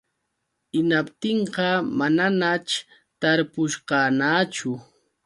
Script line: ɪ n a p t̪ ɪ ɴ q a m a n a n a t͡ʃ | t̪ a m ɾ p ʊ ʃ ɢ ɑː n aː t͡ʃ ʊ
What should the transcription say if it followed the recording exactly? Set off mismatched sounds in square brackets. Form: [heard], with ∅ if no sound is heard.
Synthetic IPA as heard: ɪ n a p t̪ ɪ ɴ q [ɑ] m a n a n a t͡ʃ | t̪ a [∅] ɾ p ʊ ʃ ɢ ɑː n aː t͡ʃ ʊ